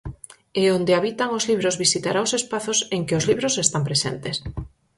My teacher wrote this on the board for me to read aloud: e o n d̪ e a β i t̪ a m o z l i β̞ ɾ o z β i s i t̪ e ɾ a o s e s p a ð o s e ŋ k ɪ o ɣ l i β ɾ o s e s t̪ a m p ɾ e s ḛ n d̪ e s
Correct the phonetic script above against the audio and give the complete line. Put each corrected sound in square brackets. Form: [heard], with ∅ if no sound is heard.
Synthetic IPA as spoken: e o n d̪ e a β i t̪ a [ŋ] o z l i β̞ ɾ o z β i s i t̪ [a] ɾ a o s e s p a [θ] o s e ŋ k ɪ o [z] l i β ɾ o s e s t̪ a m p ɾ e s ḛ n [t̪] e s